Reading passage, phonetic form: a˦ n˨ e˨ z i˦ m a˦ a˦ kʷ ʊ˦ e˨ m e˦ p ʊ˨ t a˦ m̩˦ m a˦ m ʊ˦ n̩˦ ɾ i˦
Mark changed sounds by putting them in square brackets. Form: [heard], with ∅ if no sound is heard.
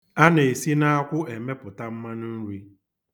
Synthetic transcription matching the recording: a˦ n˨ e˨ [s] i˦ [n] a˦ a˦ kʷ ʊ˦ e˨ m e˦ p ʊ˨ t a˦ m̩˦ m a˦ [n] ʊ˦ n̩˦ ɾ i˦

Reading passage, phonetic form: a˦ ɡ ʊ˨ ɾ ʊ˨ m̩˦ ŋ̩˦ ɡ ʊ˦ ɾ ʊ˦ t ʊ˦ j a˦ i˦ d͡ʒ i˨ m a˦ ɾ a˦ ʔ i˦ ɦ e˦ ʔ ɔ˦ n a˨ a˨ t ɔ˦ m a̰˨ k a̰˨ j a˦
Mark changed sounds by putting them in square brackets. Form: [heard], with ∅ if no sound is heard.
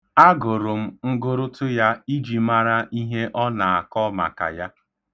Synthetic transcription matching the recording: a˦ ɡ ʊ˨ ɾ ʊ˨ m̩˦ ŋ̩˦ ɡ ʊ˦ ɾ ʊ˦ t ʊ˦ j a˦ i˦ d͡ʒ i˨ m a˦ ɾ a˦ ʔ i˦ ɦ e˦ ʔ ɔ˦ n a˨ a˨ [k] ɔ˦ m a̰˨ k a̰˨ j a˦

